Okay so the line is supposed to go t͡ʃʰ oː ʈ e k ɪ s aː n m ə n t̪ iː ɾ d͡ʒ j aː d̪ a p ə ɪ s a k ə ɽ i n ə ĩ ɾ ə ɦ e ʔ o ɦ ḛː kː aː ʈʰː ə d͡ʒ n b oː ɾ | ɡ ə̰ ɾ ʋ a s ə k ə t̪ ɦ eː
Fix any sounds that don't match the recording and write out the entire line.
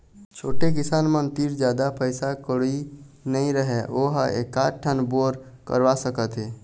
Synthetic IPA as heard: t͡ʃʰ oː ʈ e k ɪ s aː n m ə n t̪ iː ɾ d͡ʒ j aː d̪ a p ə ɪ s a k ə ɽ i n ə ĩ ɾ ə ɦ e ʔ o ɦ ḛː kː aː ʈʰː ə n b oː ɾ | k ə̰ ɾ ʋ a s ə k ə t̪ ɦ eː